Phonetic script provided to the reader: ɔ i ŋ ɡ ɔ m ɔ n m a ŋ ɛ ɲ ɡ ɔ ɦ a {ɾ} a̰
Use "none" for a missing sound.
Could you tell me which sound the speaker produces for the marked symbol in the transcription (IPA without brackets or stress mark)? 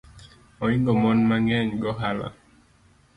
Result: l